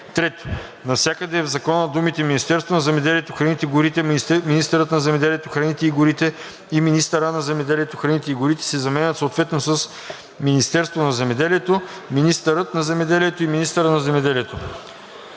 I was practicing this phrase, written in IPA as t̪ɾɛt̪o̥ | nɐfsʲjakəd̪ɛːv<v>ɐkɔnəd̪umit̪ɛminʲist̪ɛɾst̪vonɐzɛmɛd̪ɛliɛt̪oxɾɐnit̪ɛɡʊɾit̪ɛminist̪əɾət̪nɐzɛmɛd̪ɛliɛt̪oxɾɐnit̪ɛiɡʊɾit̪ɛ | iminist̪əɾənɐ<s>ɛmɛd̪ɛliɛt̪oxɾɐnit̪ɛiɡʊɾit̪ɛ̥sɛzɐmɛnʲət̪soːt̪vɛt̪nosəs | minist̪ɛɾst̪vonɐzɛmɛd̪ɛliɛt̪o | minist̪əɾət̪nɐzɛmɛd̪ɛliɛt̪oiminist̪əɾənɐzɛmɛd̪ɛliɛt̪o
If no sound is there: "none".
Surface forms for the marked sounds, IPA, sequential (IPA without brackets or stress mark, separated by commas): z, z